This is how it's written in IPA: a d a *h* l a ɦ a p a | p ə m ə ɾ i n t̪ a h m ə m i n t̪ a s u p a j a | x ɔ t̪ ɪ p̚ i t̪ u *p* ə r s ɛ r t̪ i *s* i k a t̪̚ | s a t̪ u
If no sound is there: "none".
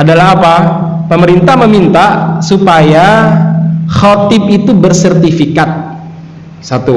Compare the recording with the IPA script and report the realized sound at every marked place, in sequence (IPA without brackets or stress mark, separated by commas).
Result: none, b, f